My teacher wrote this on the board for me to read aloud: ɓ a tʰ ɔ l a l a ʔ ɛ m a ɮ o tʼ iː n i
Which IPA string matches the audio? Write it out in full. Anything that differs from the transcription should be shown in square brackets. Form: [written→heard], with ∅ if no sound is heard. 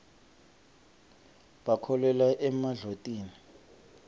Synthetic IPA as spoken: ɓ a [tʰ→kʰ] ɔ l [a→ɛ] l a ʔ ɛ m a ɮ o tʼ iː n i